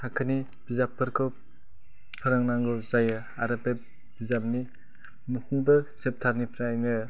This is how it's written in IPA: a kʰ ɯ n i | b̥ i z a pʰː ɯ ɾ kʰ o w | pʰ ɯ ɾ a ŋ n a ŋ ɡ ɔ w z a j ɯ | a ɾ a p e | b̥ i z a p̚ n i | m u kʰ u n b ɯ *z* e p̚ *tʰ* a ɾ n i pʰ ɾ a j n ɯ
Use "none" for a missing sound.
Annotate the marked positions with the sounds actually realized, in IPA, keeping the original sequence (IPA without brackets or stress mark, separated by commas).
s, tʰ